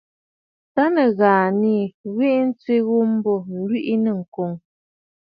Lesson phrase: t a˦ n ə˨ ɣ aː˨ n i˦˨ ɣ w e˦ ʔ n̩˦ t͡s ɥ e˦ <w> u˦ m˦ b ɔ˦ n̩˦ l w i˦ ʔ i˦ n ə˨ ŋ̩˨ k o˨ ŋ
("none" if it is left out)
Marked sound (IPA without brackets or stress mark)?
ɣ